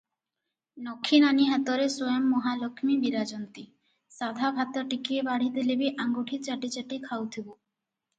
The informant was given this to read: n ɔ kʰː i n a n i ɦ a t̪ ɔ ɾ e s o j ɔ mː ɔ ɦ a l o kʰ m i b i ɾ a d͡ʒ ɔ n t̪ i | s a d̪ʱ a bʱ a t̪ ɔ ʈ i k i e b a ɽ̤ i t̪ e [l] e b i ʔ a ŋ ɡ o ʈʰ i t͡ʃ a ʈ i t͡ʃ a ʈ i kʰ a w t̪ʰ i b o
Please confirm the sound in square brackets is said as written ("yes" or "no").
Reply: yes